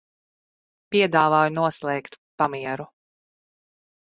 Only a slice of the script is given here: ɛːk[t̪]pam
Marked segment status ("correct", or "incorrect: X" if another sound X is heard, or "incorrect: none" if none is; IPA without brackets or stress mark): correct